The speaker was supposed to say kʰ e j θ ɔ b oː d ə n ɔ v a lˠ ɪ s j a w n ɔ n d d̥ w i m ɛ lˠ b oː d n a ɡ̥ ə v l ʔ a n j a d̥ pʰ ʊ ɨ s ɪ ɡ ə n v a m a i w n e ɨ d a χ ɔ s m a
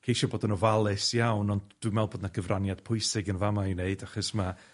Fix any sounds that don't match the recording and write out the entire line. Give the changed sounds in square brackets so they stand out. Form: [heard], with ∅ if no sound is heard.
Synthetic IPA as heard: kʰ e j [ʃ] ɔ b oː d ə n ɔ v a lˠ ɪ s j a w n ɔ n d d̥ w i m ɛ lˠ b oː d n a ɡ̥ ə v [r] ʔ a n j a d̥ pʰ ʊ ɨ s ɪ ɡ ə n v a m a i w n e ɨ d a χ ɔ s m a